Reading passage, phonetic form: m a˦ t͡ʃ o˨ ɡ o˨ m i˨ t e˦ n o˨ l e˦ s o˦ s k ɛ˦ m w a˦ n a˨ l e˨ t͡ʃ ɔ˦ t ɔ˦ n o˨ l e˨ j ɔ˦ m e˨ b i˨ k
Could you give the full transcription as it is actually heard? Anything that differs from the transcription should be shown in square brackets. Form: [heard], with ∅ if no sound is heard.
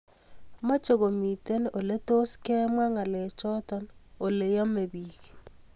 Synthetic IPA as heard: m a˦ t͡ʃ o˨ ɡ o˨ m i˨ t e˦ n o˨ l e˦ [t] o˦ s k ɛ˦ m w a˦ [ŋ] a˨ l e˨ t͡ʃ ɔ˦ t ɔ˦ n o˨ l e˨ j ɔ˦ m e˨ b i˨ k